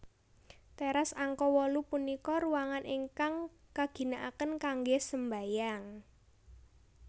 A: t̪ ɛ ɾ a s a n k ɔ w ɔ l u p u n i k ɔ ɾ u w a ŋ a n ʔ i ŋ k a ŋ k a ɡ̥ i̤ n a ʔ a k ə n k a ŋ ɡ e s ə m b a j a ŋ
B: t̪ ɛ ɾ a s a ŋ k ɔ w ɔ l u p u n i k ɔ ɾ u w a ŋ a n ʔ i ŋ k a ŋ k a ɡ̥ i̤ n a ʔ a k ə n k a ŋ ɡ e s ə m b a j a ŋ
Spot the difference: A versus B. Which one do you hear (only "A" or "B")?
B